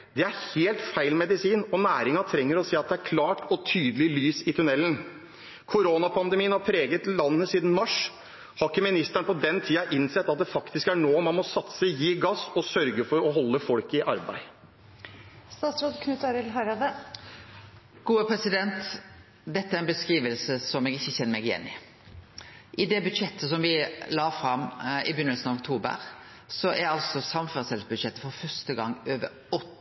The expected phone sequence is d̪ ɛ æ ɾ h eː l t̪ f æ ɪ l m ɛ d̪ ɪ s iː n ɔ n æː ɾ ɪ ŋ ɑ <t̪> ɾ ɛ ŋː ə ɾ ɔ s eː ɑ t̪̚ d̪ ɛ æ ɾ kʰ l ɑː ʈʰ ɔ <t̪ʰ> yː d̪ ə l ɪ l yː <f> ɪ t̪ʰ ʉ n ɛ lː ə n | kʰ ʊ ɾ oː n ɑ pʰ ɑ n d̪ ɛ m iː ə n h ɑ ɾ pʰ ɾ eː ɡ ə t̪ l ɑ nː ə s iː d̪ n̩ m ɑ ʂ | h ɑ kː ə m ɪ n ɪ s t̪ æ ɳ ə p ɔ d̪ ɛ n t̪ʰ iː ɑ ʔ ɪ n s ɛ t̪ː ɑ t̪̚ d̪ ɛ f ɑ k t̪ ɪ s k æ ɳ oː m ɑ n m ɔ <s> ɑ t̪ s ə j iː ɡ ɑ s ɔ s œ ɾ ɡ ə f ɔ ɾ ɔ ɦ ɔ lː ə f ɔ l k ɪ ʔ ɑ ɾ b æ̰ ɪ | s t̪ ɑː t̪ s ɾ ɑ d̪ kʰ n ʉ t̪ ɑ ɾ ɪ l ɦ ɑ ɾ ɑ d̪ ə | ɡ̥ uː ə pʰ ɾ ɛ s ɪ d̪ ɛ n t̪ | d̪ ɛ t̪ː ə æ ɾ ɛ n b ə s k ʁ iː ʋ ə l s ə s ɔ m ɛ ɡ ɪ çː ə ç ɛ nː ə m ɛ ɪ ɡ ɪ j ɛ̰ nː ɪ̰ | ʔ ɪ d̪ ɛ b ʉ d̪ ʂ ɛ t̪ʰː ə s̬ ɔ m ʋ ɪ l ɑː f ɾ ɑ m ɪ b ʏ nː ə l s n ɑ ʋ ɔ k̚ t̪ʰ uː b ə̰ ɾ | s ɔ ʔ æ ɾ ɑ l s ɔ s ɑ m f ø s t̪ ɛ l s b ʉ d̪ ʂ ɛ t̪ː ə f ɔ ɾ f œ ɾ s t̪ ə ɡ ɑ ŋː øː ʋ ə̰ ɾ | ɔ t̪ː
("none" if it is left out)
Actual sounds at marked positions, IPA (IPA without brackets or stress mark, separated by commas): t̪ʰ, t̪ʰ, s, s